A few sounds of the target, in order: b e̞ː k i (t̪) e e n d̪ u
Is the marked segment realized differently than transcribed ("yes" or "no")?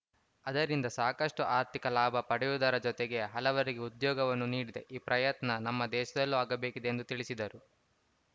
yes